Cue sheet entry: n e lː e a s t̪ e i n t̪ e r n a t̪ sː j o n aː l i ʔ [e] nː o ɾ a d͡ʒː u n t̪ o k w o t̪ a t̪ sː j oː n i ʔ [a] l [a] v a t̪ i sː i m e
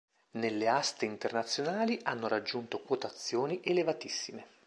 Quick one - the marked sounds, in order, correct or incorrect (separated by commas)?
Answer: incorrect, incorrect, incorrect